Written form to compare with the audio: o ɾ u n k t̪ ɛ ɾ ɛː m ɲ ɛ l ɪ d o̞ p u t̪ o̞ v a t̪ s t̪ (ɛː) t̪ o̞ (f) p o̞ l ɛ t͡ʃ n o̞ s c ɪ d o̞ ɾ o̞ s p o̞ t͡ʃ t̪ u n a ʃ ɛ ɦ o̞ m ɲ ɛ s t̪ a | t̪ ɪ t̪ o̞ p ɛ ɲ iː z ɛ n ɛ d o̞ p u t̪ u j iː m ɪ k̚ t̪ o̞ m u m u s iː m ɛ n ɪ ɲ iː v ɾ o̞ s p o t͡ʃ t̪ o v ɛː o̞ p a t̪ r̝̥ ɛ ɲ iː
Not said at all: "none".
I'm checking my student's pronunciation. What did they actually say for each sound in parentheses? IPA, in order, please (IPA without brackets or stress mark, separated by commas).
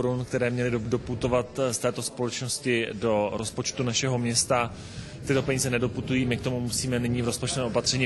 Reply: ɛː, s